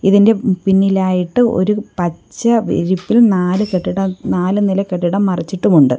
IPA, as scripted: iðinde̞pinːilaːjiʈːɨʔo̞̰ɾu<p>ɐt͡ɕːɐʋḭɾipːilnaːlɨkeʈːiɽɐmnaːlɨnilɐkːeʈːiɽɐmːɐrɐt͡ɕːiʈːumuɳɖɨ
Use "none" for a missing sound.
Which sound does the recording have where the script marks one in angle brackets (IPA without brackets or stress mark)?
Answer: p